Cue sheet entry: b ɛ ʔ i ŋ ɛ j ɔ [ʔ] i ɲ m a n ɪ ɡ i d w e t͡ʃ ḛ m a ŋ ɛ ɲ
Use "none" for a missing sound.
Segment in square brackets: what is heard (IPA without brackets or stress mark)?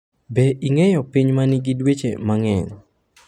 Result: p